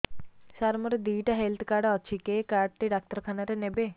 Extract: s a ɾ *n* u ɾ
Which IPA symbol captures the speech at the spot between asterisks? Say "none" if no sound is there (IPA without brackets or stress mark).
m